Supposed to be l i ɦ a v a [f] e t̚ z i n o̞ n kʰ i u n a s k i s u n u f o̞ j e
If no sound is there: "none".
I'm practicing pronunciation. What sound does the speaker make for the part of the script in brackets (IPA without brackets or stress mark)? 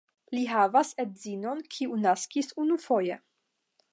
s